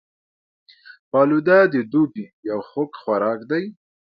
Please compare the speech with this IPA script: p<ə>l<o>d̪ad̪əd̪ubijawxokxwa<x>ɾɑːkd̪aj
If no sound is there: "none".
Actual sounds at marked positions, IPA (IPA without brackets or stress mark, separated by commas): ɑ, u, none